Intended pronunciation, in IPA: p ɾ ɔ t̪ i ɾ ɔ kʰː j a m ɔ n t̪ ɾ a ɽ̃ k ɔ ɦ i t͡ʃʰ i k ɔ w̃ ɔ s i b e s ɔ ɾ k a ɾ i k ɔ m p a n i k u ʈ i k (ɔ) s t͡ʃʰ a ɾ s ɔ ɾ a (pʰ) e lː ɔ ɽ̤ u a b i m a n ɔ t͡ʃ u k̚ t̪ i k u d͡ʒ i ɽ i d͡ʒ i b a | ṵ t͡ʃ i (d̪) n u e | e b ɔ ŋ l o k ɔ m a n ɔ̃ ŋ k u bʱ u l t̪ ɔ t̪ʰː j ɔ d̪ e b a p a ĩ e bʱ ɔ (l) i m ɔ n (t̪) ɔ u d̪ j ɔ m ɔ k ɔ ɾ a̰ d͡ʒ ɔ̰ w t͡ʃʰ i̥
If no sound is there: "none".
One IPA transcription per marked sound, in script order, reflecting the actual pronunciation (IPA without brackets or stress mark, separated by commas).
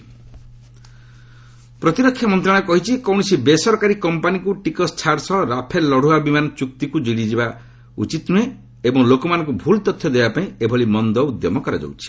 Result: ɔ, pʰ, t̪, l, d̪